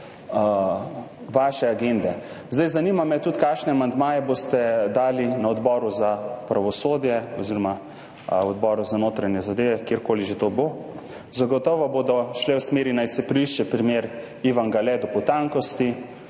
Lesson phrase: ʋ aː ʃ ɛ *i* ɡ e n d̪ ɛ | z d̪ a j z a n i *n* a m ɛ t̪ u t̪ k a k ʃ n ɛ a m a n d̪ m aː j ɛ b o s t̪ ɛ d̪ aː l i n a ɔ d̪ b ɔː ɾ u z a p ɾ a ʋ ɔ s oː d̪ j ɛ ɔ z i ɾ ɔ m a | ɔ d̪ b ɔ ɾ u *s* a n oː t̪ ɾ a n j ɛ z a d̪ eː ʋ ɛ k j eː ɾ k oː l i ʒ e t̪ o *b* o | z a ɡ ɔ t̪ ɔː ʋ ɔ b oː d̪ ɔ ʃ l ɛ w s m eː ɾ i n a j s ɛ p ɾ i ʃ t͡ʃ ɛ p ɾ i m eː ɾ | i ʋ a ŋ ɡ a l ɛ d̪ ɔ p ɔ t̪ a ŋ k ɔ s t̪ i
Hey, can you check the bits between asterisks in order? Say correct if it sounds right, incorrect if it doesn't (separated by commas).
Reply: incorrect, incorrect, incorrect, correct